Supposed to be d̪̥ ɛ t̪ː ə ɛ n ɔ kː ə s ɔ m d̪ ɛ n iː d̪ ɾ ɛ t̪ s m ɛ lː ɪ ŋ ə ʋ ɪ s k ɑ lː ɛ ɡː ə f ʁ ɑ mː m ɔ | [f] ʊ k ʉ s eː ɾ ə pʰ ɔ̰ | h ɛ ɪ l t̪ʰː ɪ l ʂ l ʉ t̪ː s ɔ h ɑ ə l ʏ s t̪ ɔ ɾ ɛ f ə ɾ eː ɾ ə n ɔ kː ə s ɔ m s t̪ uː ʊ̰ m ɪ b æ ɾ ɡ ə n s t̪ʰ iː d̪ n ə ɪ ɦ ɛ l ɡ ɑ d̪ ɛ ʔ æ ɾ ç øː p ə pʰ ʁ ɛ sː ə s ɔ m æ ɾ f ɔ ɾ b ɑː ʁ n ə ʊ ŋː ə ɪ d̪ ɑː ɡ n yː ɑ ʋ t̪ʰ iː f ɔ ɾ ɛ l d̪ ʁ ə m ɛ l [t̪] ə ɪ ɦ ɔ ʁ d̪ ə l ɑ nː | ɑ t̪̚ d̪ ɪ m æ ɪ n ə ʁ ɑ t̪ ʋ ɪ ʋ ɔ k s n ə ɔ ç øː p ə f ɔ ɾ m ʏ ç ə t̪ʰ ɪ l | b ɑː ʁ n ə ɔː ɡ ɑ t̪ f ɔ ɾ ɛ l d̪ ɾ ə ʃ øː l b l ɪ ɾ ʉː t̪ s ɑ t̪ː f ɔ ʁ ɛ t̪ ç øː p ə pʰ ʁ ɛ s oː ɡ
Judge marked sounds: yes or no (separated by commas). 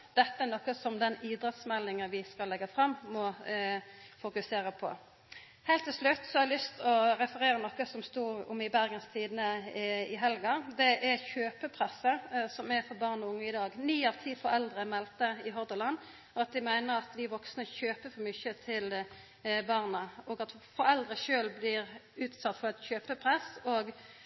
yes, yes